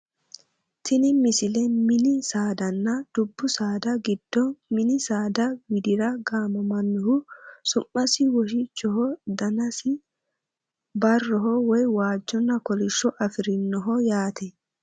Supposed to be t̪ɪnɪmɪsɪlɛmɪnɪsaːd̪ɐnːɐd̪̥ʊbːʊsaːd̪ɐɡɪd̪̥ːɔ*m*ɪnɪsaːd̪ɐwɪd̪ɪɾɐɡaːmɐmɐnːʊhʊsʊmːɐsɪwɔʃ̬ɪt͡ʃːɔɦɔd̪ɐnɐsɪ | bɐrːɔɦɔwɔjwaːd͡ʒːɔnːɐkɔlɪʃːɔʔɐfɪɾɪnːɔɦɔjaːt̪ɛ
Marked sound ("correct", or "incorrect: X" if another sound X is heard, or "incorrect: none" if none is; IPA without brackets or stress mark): correct